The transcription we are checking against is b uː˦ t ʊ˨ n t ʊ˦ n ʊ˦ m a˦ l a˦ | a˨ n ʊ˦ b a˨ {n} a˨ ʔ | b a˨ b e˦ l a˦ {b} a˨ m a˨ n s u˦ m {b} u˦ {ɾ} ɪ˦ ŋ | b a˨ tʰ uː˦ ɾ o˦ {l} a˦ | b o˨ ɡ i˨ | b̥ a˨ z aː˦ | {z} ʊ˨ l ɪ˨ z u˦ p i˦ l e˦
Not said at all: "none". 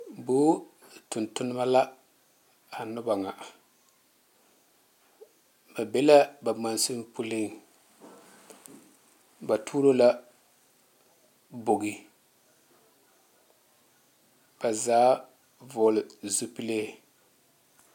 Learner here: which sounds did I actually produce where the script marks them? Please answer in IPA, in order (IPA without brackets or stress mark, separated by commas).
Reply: ŋ, b, p, l, l, v